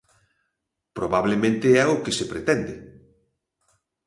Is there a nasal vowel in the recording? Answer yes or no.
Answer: yes